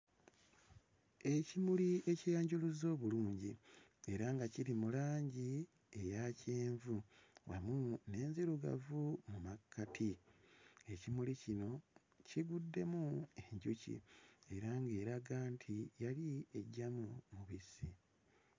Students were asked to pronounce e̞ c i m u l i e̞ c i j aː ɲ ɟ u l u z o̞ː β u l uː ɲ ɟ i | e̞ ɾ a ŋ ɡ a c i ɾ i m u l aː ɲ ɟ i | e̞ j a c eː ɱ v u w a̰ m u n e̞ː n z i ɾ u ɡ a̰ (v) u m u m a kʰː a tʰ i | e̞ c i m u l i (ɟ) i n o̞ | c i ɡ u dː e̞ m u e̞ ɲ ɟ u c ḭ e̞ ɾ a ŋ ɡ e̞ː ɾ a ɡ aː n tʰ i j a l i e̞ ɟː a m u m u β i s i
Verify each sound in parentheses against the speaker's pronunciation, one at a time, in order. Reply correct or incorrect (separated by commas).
correct, incorrect